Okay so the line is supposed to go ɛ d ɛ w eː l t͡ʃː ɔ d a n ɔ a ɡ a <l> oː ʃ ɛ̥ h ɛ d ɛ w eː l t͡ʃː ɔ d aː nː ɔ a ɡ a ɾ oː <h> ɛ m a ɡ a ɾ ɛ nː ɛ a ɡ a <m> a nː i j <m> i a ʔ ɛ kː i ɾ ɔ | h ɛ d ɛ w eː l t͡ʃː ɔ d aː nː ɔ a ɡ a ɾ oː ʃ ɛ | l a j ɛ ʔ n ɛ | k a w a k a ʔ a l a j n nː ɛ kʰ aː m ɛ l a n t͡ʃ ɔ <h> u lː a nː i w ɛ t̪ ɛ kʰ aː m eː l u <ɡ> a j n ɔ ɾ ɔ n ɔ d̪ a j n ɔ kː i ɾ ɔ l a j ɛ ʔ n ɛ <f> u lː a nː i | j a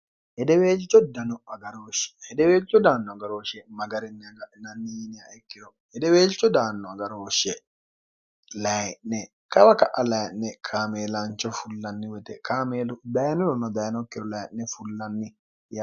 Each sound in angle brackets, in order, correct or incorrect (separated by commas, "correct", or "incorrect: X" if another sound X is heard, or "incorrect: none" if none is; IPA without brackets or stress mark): incorrect: ɾ, incorrect: ʃ, incorrect: n, incorrect: n, incorrect: f, incorrect: d, correct